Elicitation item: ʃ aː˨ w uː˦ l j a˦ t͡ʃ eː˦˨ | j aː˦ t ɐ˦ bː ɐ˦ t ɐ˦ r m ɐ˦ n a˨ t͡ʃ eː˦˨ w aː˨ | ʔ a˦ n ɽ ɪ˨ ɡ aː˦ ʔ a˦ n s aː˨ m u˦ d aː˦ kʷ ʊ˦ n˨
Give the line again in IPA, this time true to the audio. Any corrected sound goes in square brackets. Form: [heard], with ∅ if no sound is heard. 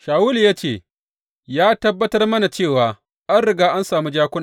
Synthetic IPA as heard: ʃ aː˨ w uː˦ l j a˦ t͡ʃ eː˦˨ | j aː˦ t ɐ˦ bː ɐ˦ t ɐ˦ r m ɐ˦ n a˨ t͡ʃ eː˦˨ w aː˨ | ʔ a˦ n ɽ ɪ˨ ɡ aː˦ ʔ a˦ n s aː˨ m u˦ [d͡ʒ] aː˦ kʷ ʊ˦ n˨